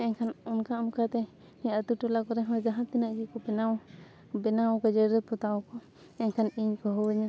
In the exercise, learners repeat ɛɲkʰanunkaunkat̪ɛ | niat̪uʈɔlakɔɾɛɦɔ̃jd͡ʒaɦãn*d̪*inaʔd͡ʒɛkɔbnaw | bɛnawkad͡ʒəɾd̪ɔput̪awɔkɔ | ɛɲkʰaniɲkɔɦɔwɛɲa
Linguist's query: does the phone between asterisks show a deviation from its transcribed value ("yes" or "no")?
yes